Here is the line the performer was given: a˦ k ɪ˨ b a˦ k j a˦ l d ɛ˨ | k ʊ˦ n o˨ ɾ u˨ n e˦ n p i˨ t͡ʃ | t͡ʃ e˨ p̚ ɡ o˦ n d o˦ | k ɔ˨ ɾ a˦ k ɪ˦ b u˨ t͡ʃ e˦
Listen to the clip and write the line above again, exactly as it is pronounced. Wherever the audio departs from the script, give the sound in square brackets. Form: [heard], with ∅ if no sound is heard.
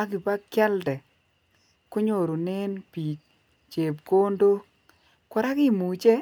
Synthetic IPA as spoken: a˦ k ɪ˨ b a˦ k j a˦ l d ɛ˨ | k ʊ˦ [ɲ] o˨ ɾ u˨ n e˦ n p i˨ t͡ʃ | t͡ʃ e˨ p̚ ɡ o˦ n d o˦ | k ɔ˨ ɾ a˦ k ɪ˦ [m] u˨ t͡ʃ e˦